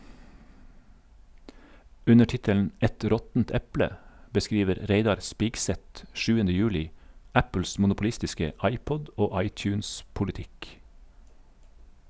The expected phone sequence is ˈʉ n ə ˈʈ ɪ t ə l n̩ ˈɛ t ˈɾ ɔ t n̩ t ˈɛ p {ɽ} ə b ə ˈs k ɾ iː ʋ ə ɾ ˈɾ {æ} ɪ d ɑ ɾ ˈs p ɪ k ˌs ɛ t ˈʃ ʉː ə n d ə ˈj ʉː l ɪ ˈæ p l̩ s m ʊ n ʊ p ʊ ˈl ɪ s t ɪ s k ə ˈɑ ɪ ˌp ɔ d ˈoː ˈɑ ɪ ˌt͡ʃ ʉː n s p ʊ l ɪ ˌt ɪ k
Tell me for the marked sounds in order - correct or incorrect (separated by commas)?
incorrect, incorrect